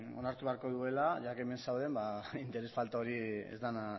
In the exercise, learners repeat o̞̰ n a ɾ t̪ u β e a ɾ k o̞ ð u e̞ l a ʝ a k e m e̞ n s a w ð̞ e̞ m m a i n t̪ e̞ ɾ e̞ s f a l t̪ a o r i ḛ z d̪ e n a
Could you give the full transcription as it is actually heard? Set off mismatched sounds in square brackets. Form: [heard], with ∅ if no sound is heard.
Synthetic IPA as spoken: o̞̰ n a ɾ t̪ u β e a ɾ k o̞ ð u e̞ l a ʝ a k e m e̞ n s a w ð̞ e̞ m [b] a i n t̪ e̞ ɾ e̞ s f a l t̪ a o [ɾ] i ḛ z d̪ [a] n a